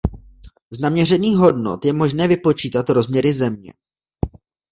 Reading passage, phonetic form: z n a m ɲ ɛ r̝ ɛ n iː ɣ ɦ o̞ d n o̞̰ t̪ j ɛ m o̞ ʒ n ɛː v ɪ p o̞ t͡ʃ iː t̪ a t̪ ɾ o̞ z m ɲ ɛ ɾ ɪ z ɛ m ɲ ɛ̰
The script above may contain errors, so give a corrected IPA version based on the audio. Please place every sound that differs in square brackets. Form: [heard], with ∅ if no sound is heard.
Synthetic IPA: z n a m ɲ ɛ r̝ ɛ n iː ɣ ɦ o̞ d n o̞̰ t̪ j ɛ m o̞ ʒ n ɛː v ɪ p o̞ t͡ʃ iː t̪ a t̪ ɾ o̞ z m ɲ ɛ ɾ ɪ z ɛ m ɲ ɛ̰